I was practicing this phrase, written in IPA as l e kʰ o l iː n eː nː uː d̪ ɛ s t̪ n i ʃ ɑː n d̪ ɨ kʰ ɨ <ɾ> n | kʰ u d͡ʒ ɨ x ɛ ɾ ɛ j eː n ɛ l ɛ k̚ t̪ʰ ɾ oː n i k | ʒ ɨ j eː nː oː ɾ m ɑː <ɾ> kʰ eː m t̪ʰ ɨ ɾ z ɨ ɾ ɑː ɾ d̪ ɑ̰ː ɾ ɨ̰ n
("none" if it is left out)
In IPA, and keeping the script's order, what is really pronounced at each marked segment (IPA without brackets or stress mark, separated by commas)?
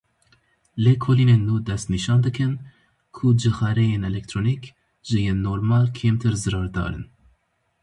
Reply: none, l